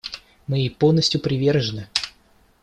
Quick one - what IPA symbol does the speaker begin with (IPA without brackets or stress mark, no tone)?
m